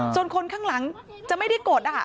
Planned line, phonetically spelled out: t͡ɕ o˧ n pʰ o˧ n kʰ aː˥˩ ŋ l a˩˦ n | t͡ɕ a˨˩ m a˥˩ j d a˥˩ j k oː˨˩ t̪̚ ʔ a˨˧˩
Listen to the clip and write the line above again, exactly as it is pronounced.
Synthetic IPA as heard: t͡ɕ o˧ n kʰ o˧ n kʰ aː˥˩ ŋ l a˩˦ ŋ | t͡ɕ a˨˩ m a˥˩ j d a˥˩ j k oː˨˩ t̪̚ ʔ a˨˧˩